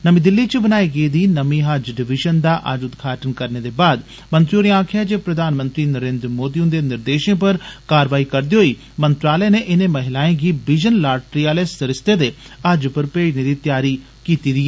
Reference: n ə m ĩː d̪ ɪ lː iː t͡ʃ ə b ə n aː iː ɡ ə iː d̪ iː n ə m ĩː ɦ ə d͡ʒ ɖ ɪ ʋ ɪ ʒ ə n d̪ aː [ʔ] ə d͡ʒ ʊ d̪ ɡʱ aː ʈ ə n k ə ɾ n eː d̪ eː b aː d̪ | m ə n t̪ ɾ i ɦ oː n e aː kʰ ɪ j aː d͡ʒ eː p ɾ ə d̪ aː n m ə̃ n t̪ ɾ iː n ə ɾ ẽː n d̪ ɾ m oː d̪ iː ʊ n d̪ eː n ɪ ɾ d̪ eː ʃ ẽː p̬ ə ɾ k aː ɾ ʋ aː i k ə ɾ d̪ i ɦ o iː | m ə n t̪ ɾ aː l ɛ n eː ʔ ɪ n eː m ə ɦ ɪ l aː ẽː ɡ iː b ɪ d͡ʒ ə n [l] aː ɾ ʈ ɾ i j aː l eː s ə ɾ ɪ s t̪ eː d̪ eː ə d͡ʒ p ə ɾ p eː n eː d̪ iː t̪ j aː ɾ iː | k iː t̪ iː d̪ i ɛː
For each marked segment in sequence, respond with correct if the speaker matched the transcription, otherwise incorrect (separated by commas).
correct, correct